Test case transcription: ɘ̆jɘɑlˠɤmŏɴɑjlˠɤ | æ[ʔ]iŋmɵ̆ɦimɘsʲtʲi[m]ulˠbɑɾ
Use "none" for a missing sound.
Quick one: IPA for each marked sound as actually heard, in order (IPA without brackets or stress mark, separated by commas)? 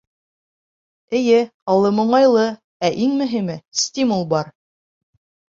ʔ, m